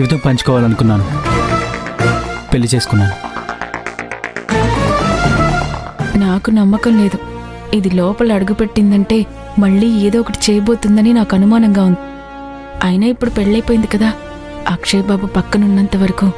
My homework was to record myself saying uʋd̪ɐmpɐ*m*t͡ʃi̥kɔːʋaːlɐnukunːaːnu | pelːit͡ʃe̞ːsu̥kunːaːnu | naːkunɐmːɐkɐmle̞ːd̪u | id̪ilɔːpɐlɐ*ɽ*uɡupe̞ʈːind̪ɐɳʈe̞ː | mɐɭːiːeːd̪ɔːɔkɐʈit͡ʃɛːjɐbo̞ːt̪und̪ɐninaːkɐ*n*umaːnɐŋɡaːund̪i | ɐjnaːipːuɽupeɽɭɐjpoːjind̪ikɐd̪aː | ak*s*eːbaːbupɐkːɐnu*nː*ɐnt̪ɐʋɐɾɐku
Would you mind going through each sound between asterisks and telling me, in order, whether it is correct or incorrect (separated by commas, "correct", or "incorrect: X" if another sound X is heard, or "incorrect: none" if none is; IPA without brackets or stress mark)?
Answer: incorrect: ɲ, correct, correct, incorrect: ʂ, correct